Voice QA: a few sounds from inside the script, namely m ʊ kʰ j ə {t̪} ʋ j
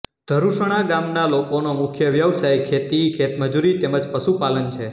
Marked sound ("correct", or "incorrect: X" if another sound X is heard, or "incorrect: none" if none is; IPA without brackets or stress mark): incorrect: none